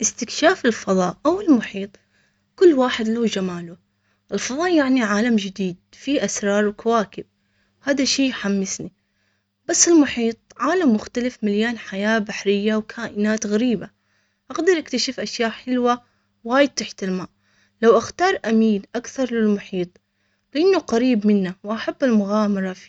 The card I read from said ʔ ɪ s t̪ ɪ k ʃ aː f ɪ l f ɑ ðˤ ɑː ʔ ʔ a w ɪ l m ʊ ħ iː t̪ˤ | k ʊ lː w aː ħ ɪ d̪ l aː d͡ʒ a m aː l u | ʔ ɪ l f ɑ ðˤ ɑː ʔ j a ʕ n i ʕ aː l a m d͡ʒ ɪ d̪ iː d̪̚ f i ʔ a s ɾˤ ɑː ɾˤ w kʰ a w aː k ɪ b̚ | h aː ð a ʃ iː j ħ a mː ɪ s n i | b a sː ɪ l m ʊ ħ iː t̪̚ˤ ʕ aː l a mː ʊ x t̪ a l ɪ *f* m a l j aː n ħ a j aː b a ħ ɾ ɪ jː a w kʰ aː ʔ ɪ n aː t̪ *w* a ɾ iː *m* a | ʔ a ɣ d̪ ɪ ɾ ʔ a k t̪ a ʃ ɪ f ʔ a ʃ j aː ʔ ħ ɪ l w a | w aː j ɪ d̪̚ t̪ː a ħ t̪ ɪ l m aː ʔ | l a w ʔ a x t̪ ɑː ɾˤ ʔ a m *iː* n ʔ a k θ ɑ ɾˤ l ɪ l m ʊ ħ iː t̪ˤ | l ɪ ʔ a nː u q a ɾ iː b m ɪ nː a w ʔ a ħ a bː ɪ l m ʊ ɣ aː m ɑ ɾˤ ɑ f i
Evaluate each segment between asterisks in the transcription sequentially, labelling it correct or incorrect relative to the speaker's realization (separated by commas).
correct, incorrect, incorrect, correct